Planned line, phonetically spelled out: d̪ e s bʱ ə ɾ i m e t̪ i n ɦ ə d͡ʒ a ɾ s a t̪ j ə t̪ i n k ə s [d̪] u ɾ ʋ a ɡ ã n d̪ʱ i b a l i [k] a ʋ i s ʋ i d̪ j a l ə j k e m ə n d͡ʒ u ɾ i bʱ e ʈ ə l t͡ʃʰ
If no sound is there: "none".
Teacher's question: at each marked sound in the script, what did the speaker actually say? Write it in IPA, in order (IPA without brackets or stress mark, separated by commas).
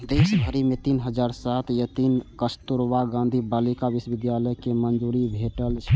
t̪, k